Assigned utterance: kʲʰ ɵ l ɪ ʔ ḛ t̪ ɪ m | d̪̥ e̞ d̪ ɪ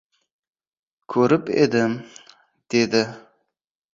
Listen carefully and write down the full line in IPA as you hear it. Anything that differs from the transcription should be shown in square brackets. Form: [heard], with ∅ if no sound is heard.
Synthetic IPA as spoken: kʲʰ ɵ [ɾ] ɪ [p] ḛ [d̪] ɪ m | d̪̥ e̞ d̪ ɪ